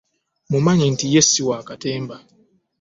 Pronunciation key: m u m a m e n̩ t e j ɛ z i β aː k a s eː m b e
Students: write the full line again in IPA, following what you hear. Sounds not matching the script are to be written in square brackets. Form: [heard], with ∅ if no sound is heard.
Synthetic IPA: m u m a [ɲ] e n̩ t [i] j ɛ [s] i [w] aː k a [t] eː m b [a]